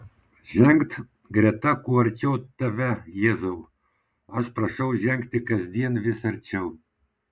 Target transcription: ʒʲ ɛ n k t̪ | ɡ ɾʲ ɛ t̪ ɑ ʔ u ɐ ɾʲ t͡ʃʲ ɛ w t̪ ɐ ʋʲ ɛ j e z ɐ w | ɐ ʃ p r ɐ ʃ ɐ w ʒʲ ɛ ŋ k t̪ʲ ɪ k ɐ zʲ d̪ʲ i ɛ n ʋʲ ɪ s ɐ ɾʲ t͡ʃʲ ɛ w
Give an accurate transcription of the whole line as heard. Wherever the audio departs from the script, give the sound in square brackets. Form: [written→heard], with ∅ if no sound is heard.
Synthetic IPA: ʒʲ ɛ [n→ŋ] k t̪ | ɡ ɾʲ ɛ t̪ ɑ [ʔ→k] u ɐ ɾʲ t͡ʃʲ ɛ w t̪ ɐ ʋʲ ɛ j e z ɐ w | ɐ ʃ p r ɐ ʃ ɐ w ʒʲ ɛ ŋ k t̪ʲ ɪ k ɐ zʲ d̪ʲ i ɛ n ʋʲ ɪ s ɐ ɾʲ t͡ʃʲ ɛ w